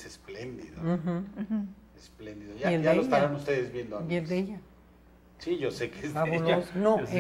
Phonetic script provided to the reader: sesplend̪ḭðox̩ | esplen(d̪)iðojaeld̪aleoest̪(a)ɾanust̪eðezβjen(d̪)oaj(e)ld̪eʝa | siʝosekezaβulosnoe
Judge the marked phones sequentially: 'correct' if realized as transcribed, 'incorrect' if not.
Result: correct, correct, correct, correct

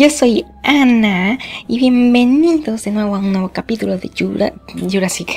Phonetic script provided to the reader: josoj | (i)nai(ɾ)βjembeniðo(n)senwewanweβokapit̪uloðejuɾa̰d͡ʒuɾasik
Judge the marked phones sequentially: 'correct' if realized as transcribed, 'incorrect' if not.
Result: incorrect: a, incorrect: none, incorrect: none

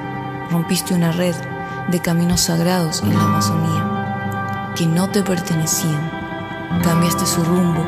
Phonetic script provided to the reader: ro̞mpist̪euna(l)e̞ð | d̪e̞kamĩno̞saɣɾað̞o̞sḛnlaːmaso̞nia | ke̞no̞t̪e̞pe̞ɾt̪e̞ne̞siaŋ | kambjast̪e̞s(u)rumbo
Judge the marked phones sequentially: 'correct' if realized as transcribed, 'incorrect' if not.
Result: incorrect: r, correct

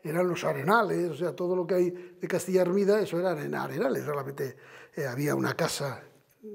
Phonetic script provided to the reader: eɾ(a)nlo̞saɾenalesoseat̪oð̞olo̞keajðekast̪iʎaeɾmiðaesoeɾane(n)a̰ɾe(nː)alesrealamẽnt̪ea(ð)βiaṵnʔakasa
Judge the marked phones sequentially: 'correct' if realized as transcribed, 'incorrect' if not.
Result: correct, correct, incorrect: n, incorrect: none

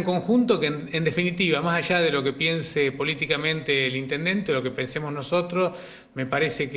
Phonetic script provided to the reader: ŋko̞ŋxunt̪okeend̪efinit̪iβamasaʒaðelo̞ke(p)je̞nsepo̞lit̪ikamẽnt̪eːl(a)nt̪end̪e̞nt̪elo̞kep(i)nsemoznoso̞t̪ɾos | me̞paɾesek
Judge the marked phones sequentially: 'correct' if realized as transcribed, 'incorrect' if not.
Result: correct, incorrect: i, incorrect: e

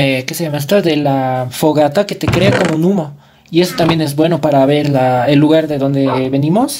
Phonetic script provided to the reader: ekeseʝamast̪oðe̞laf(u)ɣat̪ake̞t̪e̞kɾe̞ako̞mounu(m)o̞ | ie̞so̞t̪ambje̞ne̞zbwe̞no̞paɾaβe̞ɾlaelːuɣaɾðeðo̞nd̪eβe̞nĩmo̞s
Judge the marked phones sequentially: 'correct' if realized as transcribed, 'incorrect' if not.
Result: incorrect: o, correct

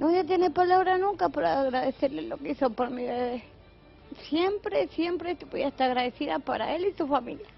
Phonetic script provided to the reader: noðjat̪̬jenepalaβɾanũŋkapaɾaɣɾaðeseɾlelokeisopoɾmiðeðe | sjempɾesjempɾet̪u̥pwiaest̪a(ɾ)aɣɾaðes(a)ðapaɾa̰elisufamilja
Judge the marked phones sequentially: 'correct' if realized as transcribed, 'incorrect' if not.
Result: correct, incorrect: i

